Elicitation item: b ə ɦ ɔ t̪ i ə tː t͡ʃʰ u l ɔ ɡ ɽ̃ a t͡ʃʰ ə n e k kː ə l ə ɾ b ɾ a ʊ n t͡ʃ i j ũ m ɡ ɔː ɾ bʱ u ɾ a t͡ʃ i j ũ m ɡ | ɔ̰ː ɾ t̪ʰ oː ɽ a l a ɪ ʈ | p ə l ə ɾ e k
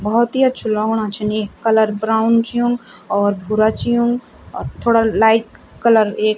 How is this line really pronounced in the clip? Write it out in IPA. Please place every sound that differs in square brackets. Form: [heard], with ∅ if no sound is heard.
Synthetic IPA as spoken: b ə ɦ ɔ t̪ i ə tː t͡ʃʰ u l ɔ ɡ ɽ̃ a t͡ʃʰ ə n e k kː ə l ə ɾ b ɾ a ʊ n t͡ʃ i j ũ [ŋ] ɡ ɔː ɾ bʱ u ɾ a t͡ʃ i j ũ [ŋ] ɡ | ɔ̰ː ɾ t̪ʰ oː ɽ a l a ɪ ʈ | [k] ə l ə ɾ e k